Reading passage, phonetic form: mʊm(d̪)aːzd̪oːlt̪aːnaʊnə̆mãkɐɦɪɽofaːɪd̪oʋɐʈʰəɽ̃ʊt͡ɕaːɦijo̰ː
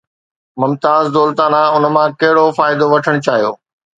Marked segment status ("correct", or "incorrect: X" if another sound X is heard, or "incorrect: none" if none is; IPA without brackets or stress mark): incorrect: t̪